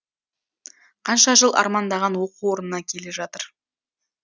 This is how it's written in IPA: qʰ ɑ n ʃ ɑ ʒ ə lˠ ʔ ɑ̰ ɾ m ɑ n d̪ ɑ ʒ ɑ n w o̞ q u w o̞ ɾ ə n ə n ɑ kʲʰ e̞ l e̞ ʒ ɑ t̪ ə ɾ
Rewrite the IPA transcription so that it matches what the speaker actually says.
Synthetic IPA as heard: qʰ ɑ n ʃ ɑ ʒ ə lˠ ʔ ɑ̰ ɾ m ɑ n d̪ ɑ ʁ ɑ n w o̞ q u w o̞ ɾ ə n ə n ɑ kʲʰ e̞ l e̞ ʒ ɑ t̪ ə ɾ

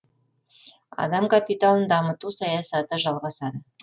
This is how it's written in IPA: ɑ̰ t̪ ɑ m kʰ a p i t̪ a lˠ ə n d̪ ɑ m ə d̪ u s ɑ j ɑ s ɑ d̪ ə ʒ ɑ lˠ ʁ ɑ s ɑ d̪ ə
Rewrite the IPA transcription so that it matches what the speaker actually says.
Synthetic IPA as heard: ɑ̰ d̪ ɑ m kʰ a p i t̪ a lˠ ə n d̪ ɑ m ə t̪ u s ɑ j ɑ s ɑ t̪ ə ʒ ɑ lˠ ʁ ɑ s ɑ d̪ ə

